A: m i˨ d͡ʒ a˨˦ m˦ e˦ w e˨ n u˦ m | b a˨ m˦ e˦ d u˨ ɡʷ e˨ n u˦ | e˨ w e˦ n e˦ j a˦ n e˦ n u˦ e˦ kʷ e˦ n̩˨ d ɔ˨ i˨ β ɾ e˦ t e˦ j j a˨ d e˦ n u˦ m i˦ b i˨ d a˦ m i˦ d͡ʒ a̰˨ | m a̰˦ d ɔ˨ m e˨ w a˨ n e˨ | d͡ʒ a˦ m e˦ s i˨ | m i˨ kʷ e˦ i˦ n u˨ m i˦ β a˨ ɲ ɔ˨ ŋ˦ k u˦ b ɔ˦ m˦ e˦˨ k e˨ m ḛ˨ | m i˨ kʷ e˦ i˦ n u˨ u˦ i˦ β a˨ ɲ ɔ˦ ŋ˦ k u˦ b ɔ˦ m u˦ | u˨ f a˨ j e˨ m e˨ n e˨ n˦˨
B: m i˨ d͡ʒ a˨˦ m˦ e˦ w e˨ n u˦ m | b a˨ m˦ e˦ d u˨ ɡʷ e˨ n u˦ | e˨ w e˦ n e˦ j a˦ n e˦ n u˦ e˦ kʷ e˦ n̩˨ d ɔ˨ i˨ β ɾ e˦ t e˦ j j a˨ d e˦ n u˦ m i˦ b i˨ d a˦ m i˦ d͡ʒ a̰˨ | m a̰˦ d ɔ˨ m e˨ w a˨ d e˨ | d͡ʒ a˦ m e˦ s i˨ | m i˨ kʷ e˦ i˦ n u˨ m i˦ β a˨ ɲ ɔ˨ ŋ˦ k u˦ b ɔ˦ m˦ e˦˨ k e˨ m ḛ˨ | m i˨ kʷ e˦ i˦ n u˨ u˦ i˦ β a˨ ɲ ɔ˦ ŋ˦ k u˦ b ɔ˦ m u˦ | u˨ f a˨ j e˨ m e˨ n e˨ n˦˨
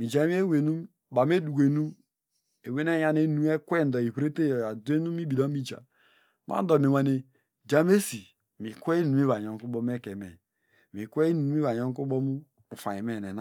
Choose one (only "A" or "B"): A